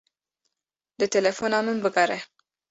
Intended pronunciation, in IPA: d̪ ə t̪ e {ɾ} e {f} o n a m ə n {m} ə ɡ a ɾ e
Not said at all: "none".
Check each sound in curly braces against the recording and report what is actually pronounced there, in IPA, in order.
l, f, b

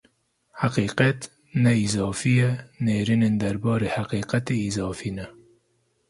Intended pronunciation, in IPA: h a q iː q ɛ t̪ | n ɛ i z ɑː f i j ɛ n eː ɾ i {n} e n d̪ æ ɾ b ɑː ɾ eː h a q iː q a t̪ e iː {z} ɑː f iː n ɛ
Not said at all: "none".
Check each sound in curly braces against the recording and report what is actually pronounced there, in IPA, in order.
n, z

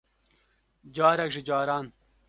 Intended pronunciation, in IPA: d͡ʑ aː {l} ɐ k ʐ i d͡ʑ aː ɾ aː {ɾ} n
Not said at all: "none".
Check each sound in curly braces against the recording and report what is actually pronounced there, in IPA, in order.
ɾ, none

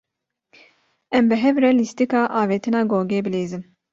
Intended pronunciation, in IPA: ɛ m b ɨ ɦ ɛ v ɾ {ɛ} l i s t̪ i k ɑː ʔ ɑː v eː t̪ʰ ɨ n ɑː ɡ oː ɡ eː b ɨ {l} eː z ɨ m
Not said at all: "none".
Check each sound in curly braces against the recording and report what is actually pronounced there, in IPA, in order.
ɛ, l

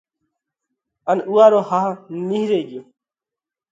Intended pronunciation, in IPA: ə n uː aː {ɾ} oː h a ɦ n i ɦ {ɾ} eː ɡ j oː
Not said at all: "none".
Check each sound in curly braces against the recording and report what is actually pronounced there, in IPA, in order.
ɾ, ɾ

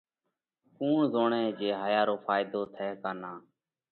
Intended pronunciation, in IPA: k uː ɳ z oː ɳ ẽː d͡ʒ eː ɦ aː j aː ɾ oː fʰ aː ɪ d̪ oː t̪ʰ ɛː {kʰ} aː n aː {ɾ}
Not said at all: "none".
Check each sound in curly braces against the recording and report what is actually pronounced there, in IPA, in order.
k, none

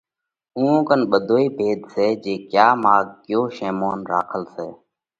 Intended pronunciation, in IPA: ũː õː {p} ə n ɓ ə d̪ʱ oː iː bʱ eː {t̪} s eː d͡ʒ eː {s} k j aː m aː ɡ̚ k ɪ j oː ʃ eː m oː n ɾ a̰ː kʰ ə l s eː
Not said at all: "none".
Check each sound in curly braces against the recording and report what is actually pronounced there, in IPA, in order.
k, d̪, none

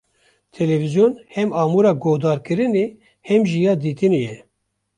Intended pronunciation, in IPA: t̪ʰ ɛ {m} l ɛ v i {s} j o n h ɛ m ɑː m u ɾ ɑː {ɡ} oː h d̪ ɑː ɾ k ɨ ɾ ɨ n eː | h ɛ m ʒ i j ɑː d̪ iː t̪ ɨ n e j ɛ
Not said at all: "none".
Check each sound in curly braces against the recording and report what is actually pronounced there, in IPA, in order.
none, z, ɡ

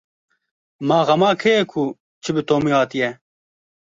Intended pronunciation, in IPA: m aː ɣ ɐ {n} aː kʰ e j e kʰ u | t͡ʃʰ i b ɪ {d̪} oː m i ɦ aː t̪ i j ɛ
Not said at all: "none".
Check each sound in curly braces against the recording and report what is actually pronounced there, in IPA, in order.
m, t̪

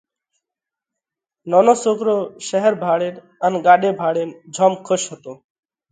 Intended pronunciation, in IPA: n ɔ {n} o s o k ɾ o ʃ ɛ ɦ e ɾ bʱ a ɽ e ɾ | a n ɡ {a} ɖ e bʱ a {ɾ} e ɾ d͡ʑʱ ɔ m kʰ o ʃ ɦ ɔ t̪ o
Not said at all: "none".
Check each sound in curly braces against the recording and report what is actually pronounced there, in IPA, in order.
n, a, ɽ

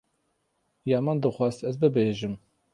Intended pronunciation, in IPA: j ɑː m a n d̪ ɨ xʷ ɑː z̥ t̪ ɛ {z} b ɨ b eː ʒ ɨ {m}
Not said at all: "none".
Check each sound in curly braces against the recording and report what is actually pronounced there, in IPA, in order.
z, m

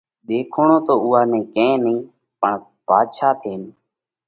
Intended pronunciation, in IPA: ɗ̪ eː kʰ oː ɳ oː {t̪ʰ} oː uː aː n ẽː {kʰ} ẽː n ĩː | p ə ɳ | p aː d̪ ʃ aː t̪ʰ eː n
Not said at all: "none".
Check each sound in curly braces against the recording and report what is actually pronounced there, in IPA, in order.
t̪, k

